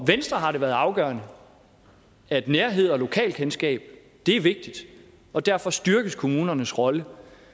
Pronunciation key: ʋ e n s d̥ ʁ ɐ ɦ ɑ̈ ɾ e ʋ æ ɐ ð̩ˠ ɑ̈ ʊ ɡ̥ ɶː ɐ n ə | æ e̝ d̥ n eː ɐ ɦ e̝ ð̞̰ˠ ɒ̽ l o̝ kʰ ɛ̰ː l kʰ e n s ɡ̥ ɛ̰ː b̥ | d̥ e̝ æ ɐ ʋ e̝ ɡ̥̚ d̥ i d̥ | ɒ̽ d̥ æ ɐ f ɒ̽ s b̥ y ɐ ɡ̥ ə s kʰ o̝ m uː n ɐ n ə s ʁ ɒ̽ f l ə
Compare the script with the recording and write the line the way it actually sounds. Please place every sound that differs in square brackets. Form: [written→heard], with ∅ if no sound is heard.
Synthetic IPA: ʋ e n s d̥ ʁ ɐ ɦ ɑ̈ ɾ e ʋ æ ɐ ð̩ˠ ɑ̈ ʊ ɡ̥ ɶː ɐ n ə | æ e̝ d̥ n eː ɐ ɦ e̝ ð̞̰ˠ ɒ̽ l o̝ kʰ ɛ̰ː l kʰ e n s ɡ̥ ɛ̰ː b̥ | d̥ e̝ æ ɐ ʋ e̝ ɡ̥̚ d̥ i d̥ | ɒ̽ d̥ æ ɐ f ɒ̽ s [b̥→d̥] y ɐ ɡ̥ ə s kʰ o̝ m uː n ɐ n ə s ʁ ɒ̽ [f→∅] l ə

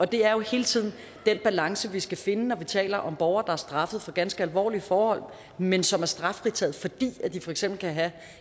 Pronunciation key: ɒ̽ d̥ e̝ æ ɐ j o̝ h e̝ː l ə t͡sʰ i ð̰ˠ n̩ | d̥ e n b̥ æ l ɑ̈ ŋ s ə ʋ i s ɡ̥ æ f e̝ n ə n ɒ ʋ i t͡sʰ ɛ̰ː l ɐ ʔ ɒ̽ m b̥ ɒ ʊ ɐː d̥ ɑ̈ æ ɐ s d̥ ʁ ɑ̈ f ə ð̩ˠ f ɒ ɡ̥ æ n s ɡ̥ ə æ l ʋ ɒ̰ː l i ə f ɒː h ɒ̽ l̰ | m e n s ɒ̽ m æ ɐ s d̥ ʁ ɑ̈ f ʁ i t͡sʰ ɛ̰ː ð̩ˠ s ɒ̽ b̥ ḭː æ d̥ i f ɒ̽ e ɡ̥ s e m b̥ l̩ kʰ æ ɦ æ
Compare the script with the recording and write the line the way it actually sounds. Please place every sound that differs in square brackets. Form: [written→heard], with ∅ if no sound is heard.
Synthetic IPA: ɒ̽ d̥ e̝ æ ɐ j o̝ h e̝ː l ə t͡sʰ i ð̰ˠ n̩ | d̥ e n b̥ æ l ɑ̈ ŋ s ə ʋ i s ɡ̥ æ f e̝ n ə n ɒ ʋ i t͡sʰ ɛ̰ː l ɐ ʔ ɒ̽ m b̥ ɒ ʊ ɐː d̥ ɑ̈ æ ɐ s d̥ ʁ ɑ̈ f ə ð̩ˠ f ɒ ɡ̥ æ n s ɡ̥ ə æ l ʋ ɒ̰ː l i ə f ɒː h ɒ̽ l̰ | m e n s ɒ̽ m æ ɐ s d̥ ʁ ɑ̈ f ʁ i t͡sʰ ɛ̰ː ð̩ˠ [s→f] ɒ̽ [b̥→d̥] ḭː æ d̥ i f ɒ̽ e ɡ̥ s e m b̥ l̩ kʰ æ ɦ æ

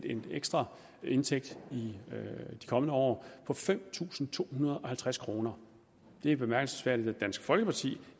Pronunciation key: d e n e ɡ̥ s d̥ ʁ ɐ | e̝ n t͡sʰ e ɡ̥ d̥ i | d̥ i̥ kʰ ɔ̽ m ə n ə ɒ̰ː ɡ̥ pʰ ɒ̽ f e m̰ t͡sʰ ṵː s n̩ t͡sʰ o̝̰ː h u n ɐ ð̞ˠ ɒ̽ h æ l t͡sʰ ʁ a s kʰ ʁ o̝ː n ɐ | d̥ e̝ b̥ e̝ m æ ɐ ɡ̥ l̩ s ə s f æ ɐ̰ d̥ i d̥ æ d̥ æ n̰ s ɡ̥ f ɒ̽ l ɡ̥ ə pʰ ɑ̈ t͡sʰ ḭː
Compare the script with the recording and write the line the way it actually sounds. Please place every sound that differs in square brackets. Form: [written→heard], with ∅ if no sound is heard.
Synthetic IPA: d e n e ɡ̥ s d̥ ʁ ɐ | e̝ n t͡sʰ e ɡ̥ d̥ i | d̥ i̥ kʰ [ɔ̽→ɒ̽] m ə n ə ɒ̰ː [ɡ̥→∅] pʰ ɒ̽ f e m̰ t͡sʰ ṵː s n̩ t͡sʰ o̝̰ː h u n ɐ ð̞ˠ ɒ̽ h æ l t͡sʰ ʁ a s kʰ ʁ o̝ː n ɐ | d̥ e̝ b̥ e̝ m æ ɐ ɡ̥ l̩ s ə s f æ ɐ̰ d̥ i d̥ æ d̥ æ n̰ s ɡ̥ f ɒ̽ l ɡ̥ ə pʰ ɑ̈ t͡sʰ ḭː

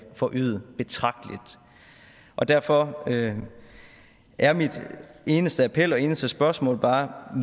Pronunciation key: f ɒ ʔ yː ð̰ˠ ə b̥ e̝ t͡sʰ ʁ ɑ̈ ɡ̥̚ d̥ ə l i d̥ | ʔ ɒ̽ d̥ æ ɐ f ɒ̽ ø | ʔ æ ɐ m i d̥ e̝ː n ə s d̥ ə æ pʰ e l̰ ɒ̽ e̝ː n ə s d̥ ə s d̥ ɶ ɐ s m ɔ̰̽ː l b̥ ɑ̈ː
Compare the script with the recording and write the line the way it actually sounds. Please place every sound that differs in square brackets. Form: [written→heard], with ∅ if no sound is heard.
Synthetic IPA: f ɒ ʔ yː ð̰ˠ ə b̥ e̝ t͡sʰ ʁ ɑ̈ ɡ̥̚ d̥ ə l i d̥ | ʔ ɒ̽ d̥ æ ɐ f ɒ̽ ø | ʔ æ ɐ m i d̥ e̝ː n ə s d̥ ə æ pʰ e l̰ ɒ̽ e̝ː n ə s d̥ ə s [d̥→b̥] ɶ ɐ s m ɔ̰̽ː l b̥ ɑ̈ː

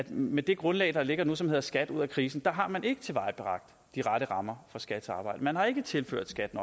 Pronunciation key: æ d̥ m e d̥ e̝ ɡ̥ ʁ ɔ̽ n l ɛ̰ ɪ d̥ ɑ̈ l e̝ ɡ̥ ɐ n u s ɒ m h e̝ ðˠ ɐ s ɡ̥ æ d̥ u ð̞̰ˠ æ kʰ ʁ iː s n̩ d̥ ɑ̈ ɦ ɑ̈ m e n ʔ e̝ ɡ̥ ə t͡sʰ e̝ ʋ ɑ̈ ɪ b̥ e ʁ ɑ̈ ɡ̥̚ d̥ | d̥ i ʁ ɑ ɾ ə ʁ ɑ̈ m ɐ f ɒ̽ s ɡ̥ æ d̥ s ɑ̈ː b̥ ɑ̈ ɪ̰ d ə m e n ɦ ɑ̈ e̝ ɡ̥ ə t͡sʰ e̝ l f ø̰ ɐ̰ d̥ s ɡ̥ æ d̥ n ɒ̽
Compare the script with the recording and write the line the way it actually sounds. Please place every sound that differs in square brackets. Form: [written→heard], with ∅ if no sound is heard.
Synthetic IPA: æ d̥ m e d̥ e̝ ɡ̥ ʁ ɔ̽ n l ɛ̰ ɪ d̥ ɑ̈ l e̝ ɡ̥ ɐ n u s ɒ m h e̝ ðˠ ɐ s ɡ̥ æ d̥ u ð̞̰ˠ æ kʰ ʁ iː s n̩ d̥ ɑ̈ ɦ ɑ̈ m [e→æ] n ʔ e̝ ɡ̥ ə t͡sʰ e̝ ʋ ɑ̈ ɪ b̥ e ʁ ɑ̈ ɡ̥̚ d̥ | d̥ i ʁ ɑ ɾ ə ʁ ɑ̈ m ɐ f ɒ̽ s ɡ̥ æ d̥ s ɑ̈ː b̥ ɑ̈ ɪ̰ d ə m [e→æ] n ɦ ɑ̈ e̝ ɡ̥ ə t͡sʰ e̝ l f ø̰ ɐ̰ d̥ s ɡ̥ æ d̥ n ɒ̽

